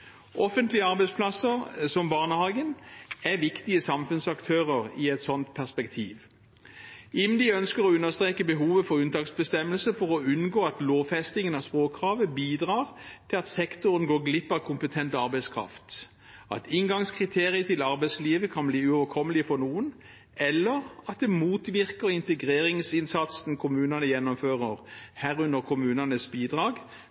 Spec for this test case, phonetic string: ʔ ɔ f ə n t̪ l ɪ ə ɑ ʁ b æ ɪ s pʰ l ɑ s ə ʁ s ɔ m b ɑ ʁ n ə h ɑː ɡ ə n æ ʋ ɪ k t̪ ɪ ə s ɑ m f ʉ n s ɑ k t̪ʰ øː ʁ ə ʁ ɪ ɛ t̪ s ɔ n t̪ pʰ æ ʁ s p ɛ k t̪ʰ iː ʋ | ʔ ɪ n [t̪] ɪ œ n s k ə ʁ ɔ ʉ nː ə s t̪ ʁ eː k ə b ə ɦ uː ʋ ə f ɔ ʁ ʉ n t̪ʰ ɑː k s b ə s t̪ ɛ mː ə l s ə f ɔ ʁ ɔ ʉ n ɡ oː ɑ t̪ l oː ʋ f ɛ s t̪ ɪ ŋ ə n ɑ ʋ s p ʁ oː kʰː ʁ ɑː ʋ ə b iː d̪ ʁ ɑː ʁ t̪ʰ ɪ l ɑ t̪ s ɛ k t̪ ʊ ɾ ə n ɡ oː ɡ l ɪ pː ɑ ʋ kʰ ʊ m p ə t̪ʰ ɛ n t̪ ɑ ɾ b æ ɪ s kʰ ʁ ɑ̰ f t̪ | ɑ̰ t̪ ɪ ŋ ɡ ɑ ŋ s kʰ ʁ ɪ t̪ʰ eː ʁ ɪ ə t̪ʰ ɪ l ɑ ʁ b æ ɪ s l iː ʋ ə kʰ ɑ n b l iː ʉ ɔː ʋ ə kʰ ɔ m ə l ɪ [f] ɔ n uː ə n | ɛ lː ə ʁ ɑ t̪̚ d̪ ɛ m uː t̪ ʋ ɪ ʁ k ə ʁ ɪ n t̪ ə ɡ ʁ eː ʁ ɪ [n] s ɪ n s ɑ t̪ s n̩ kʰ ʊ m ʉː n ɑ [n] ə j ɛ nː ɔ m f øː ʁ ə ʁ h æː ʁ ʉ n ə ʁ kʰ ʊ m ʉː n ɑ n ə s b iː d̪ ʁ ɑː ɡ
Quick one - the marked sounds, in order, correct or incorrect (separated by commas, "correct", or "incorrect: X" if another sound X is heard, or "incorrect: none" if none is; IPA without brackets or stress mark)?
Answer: incorrect: d̪, correct, incorrect: ŋ, correct